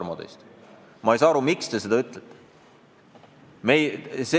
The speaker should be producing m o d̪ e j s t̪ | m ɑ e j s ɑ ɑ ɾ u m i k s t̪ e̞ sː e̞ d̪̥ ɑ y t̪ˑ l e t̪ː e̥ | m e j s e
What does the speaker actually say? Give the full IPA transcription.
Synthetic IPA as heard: m o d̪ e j s t̪ | m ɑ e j s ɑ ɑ ɾ u m i k s t̪ e̞ s e̞ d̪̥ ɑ y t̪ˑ l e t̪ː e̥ | m e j s e